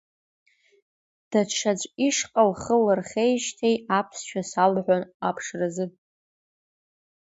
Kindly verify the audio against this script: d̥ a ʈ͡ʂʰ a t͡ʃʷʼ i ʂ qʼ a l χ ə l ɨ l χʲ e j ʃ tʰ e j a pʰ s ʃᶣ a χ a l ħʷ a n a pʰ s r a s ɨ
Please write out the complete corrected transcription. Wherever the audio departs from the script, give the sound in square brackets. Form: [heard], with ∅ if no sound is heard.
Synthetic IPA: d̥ a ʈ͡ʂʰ a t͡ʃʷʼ i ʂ qʼ a l χ ə l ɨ [r] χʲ e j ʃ tʰ e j a pʰ s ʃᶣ a [s] a l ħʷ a n a pʰ [ʂ] r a [z] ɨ